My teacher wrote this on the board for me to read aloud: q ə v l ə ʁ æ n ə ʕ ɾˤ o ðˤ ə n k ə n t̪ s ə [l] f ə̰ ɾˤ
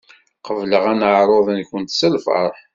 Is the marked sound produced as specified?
yes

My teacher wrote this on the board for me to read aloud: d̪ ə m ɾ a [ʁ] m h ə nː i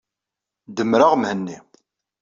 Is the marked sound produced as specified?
yes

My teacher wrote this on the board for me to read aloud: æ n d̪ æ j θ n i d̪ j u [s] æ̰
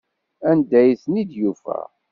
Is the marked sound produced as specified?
no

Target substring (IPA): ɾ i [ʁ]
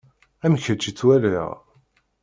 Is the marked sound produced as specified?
yes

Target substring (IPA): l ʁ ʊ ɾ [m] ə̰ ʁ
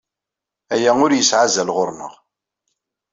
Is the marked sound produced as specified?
no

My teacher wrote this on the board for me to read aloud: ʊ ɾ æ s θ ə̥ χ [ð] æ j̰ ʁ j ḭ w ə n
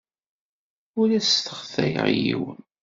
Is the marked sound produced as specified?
no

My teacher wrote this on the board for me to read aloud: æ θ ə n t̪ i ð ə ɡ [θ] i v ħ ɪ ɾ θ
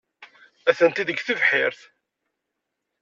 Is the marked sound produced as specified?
yes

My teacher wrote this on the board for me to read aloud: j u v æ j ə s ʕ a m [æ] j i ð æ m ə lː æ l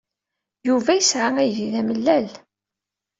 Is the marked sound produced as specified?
yes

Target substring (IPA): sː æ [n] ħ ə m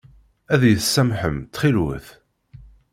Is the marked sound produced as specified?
no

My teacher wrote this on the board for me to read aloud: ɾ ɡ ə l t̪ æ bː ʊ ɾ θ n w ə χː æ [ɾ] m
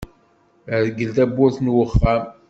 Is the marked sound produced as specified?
no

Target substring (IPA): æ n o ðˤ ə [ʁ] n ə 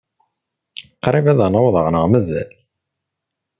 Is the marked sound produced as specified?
yes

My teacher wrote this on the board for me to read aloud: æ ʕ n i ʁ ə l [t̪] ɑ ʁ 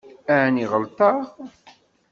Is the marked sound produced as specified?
yes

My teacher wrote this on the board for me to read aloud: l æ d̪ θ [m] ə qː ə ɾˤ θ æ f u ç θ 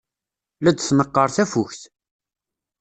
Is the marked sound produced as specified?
no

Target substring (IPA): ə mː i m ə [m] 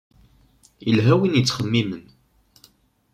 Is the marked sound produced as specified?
no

